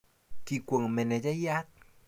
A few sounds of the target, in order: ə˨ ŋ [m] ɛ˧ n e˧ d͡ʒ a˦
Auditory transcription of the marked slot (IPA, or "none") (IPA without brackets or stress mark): m